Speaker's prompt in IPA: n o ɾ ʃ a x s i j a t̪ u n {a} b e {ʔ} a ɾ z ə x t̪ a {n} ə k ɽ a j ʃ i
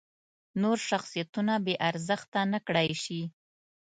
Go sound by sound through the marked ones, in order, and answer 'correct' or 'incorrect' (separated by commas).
correct, correct, correct